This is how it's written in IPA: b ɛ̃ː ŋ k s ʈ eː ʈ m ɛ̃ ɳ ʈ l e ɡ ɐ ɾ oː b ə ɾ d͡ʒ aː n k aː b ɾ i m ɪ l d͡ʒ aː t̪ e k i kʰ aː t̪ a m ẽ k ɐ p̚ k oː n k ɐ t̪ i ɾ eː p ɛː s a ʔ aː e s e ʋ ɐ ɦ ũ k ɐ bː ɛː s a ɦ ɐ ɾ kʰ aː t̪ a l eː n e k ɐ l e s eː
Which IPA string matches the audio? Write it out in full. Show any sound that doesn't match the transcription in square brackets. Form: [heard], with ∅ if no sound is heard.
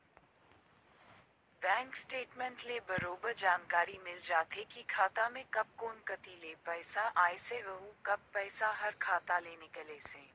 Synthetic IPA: b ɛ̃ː ŋ k s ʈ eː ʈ m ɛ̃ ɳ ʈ l e [b] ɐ ɾ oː b ə ɾ d͡ʒ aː n k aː [∅] ɾ i m ɪ l d͡ʒ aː t̪ e k i kʰ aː t̪ a m ẽ k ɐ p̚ k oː n k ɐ t̪ i [l] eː p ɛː s a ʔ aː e s e ʋ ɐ ɦ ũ k ɐ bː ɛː s a ɦ ɐ ɾ kʰ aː t̪ a l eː n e k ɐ l e s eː